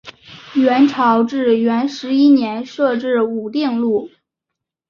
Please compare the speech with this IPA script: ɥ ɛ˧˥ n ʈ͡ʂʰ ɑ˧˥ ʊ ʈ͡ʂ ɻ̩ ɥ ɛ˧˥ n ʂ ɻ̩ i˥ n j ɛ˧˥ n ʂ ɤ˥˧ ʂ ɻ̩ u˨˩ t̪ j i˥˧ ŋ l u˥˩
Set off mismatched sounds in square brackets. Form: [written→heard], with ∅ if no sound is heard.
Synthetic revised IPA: ɥ ɛ˧˥ n ʈ͡ʂʰ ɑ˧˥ ʊ ʈ͡ʂ ɻ̩ ɥ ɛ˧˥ n ʂ ɻ̩ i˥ n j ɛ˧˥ n ʂ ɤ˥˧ [ʂ→ʈ͡ʂ] ɻ̩ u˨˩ t̪ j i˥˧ ŋ l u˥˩